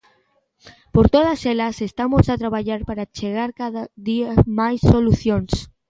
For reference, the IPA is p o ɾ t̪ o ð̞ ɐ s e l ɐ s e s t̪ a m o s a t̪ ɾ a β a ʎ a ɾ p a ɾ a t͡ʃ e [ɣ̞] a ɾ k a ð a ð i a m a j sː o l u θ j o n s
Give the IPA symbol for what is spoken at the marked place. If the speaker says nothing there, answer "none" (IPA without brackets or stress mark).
ɣ̞